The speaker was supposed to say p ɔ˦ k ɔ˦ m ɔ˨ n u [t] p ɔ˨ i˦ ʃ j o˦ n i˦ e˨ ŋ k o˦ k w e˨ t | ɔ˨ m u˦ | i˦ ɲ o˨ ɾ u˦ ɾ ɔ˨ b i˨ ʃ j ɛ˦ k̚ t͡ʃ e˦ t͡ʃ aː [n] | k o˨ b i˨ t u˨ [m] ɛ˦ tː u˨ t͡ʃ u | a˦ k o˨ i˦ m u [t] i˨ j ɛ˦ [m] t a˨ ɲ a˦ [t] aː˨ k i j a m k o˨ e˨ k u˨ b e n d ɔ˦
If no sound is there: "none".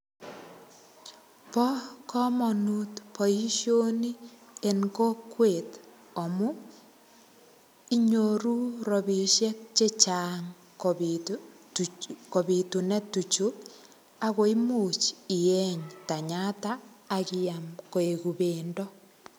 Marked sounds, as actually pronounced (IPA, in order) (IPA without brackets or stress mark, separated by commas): t, ŋ, n, t͡ʃ, ɲ, t